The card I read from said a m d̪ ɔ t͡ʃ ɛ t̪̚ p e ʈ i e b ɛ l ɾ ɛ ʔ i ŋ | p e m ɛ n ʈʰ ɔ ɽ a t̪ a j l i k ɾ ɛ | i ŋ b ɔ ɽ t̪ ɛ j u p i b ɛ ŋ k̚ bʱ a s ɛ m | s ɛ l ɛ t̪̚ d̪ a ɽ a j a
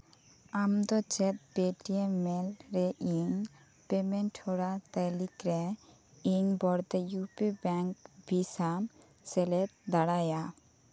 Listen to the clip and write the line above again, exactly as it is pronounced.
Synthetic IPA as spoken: a m d̪ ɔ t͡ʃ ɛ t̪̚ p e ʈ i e m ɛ l ɾ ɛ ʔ i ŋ | p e m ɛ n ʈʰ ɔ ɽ a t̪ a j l i k ɾ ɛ | i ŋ b ɔ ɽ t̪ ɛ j u p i b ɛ ŋ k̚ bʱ i s a m | s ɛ l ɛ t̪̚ d̪ a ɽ a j a